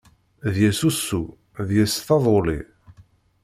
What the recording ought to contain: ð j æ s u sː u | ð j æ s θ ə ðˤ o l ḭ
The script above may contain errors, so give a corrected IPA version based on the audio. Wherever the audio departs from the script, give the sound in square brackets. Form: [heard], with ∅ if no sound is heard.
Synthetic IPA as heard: ð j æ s u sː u | ð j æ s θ [ɑ] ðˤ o l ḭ